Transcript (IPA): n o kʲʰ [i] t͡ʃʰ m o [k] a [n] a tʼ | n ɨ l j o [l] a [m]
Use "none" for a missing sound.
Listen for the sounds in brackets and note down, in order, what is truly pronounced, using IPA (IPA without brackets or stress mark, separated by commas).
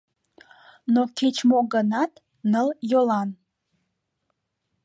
e, ɡ, n, l, n